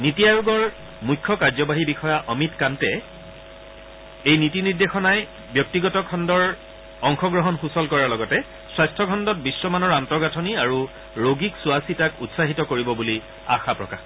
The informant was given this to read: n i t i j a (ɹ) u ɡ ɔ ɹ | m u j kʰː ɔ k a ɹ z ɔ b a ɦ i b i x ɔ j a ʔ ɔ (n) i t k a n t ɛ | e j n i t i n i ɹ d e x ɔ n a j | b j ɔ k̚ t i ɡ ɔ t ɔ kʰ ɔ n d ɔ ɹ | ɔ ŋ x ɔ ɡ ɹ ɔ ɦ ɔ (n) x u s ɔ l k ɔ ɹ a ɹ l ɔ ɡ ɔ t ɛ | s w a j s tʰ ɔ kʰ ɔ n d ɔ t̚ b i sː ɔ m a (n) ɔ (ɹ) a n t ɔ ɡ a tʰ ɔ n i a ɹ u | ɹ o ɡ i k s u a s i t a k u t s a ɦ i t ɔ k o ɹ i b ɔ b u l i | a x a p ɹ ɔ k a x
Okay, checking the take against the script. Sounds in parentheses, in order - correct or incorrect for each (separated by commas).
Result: correct, incorrect, correct, correct, correct